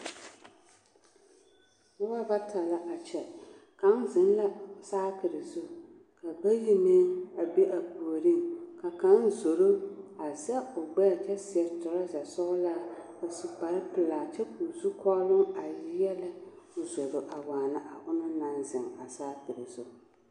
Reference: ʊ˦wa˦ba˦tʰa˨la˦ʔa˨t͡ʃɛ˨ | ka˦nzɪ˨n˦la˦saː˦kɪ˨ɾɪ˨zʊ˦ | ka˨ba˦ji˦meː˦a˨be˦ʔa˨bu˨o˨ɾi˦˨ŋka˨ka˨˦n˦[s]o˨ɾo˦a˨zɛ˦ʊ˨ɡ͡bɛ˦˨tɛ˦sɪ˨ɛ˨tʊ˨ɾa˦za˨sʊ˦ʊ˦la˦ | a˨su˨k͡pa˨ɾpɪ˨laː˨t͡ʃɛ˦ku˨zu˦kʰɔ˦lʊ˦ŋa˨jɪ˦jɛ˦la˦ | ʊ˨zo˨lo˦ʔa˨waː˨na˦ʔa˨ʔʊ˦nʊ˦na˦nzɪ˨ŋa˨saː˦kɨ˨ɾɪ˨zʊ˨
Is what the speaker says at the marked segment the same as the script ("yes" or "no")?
no